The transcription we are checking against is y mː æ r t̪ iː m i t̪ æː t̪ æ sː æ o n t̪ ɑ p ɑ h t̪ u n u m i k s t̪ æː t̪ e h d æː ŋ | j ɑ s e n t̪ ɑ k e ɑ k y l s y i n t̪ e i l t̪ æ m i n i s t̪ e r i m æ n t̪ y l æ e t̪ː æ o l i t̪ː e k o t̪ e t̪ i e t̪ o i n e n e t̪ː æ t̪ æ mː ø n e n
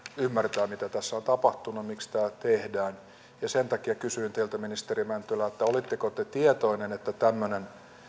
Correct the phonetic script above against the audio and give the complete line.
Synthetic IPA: y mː æ r t̪ æː m i t̪ æ t̪ æ sː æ o n t̪ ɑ p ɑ h t̪ u n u m i k s t̪ æː t̪ e h d æː n | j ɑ s e n t̪ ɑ k i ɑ k y s y i n t̪ e i l t̪ æ m i n i s t̪ e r i m æ n t̪ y l æ e t̪ː æ o l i t̪ː e k o t̪ e t̪ i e t̪ o i n e n e t̪ː æ t̪ æ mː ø n e n